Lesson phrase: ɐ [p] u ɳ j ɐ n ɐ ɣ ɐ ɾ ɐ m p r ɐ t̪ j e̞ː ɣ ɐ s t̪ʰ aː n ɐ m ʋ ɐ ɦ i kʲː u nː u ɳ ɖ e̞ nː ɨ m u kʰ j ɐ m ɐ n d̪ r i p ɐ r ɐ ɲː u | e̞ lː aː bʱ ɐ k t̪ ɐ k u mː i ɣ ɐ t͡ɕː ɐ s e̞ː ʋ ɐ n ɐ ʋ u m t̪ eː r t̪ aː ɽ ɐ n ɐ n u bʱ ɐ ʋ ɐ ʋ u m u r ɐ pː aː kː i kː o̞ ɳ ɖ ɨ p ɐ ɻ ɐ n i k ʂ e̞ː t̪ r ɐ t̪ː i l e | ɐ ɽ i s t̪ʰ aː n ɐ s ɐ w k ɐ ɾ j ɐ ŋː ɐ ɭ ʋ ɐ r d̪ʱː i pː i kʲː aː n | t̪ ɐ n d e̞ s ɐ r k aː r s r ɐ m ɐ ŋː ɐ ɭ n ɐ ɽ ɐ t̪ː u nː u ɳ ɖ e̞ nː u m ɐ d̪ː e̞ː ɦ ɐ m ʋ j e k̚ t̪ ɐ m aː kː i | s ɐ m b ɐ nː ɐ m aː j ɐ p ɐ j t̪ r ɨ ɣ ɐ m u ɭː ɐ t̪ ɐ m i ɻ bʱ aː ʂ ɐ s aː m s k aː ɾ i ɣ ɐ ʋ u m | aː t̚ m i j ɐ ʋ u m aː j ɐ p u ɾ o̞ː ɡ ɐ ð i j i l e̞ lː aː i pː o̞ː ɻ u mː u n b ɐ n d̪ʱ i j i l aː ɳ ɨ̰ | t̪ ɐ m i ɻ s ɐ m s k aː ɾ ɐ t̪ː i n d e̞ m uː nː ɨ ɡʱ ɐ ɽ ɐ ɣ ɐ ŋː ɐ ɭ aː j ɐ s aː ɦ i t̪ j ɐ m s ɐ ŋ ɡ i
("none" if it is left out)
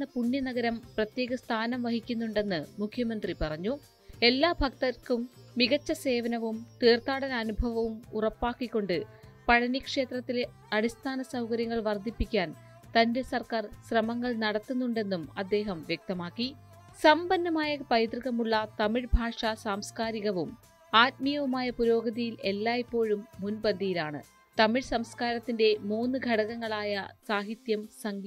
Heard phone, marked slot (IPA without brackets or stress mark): p